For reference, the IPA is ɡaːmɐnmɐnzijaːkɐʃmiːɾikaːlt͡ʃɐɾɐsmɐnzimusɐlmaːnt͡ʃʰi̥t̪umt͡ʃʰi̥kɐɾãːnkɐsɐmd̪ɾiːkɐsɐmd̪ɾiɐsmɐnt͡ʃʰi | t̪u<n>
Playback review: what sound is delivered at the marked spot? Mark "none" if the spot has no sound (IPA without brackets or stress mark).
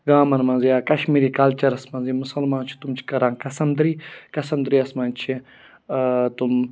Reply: m